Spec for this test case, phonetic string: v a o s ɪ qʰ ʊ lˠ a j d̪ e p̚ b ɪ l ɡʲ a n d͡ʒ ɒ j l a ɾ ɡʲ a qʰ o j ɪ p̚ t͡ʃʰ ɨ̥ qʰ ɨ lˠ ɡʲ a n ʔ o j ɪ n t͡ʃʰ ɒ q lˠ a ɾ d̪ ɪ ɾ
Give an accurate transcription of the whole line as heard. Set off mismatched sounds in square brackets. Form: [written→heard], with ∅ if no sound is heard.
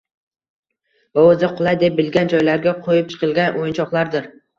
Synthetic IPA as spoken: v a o [s→z] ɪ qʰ ʊ lˠ a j d̪ e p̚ b ɪ l ɡʲ a n d͡ʒ ɒ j l a ɾ ɡʲ a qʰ o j ɪ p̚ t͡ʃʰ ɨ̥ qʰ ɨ lˠ ɡʲ a n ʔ o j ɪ n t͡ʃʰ ɒ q lˠ a ɾ d̪ ɪ ɾ